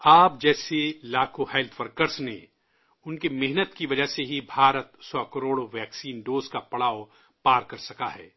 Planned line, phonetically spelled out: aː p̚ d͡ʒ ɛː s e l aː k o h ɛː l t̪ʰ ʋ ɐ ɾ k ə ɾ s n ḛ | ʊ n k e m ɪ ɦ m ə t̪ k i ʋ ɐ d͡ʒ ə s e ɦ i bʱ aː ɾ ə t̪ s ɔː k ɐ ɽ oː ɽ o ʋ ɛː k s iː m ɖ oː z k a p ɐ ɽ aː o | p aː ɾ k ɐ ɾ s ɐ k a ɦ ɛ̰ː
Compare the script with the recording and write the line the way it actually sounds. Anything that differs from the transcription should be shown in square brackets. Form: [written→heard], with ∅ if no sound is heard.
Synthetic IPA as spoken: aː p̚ d͡ʒ ɛː s e l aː k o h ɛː l t̪ʰ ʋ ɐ ɾ k ə ɾ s n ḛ | ʊ n k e m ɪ ɦ [m→n] ə t̪ k i ʋ ɐ d͡ʒ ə s e ɦ i bʱ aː ɾ ə t̪ s ɔː k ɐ [ɽ→ɾ] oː ɽ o ʋ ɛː k s iː [m→n] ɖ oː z k a p ɐ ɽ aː o | p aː ɾ k ɐ ɾ s ɐ k a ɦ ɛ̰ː

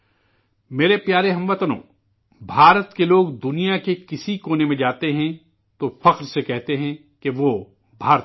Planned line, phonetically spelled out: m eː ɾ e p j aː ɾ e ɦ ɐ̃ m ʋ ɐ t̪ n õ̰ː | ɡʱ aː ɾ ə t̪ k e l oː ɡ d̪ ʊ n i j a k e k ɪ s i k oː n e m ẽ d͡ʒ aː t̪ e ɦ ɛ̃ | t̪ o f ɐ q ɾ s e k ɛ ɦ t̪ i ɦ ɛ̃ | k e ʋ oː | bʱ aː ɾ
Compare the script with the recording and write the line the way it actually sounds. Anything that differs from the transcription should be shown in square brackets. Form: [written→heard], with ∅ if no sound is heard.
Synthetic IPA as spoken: m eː ɾ e p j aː ɾ e ɦ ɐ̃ m ʋ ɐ t̪ n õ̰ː | [ɡʱ→bʱ] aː ɾ ə t̪ k e l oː ɡ d̪ ʊ n i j a k e k ɪ s i k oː n e m ẽ d͡ʒ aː t̪ e ɦ ɛ̃ | t̪ o f ɐ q ɾ s e k ɛ ɦ t̪ [i→e] ɦ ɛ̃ | k e ʋ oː | bʱ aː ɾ

